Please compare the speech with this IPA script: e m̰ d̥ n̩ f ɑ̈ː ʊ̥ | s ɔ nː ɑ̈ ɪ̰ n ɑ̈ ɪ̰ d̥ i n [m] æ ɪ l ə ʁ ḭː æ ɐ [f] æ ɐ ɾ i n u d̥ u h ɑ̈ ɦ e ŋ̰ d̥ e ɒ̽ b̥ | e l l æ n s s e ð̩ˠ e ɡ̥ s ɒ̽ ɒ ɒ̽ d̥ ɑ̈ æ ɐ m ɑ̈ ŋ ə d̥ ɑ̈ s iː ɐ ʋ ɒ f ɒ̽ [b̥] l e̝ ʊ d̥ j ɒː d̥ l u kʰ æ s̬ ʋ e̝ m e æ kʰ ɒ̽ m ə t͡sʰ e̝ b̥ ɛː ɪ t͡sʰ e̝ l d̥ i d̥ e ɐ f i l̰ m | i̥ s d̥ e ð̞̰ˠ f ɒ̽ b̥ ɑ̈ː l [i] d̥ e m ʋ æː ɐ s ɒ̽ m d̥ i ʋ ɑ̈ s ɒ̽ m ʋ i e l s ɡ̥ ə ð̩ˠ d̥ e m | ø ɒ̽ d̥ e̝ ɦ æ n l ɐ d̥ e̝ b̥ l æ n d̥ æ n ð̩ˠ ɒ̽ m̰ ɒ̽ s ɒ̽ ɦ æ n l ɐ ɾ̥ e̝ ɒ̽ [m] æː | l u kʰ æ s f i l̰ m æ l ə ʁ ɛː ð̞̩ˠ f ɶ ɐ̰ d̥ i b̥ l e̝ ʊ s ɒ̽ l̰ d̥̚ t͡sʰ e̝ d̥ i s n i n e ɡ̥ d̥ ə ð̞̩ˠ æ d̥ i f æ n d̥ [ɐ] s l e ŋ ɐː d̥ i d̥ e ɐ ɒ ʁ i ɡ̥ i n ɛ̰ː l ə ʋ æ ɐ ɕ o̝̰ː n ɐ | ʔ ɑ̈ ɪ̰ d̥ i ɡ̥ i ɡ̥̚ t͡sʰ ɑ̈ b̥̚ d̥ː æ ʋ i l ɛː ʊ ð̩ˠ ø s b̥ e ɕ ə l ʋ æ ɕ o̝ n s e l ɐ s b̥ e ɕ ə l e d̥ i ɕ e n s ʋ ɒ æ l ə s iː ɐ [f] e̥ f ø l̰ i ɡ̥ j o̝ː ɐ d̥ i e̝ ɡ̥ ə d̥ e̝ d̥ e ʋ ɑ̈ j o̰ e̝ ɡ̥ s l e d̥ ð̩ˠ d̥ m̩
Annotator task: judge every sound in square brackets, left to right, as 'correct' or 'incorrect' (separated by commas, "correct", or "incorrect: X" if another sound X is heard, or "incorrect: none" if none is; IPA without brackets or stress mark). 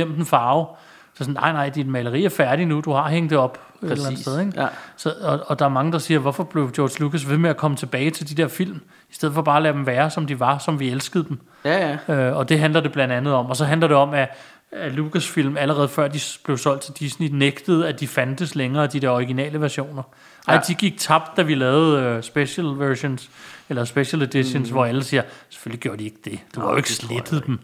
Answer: correct, correct, correct, incorrect: æ, correct, incorrect: ə, incorrect: s